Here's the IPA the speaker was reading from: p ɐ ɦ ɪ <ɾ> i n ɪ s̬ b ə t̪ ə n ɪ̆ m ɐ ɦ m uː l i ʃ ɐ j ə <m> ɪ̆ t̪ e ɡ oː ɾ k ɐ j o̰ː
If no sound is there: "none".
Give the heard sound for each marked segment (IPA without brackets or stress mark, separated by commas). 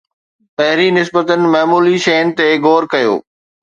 ɾ, n